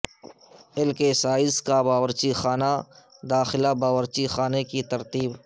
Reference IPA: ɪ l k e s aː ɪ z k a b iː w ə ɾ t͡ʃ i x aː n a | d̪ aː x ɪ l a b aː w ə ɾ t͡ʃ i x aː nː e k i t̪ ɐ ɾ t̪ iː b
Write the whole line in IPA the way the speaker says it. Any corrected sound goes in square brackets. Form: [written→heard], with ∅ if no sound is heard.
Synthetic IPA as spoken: ɪ l k e s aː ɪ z k a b [iː→aː] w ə ɾ t͡ʃ i x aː n a | d̪ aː x ɪ l a b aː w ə ɾ t͡ʃ i x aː [nː→n] e k i t̪ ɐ ɾ t̪ iː b